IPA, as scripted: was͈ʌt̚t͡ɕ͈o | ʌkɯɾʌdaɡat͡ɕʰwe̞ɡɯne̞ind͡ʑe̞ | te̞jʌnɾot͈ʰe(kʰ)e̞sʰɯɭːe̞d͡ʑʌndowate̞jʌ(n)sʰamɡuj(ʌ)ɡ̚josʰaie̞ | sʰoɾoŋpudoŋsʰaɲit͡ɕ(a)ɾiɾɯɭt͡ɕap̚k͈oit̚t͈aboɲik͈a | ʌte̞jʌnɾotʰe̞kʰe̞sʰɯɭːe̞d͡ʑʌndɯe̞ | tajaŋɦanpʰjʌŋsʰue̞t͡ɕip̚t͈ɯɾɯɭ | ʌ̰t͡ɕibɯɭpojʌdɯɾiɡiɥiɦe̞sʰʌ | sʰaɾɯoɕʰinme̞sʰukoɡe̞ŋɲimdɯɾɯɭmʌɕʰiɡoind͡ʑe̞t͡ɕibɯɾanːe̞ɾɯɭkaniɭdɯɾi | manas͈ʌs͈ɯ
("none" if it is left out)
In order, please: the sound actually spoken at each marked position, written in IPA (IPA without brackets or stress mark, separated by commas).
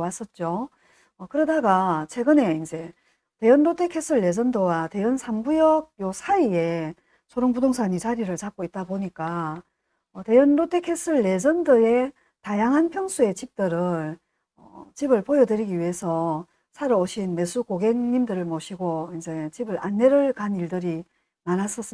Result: kʰ, n, ʌ, a